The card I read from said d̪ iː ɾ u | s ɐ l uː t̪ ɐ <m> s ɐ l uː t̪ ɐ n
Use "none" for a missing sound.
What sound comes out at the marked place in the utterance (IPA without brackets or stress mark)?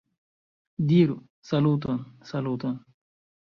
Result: n